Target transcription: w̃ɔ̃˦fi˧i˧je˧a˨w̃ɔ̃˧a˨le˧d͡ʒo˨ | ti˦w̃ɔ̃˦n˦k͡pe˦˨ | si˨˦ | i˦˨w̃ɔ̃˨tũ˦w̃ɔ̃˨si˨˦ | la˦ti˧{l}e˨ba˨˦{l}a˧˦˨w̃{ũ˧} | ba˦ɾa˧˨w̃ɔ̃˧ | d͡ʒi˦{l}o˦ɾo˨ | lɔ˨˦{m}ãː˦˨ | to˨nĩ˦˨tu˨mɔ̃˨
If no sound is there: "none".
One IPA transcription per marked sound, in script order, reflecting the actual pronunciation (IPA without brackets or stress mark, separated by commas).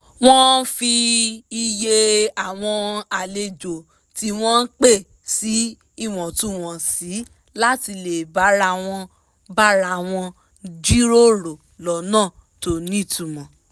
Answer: l, ɾ, ɔ̃˧, ɾ, n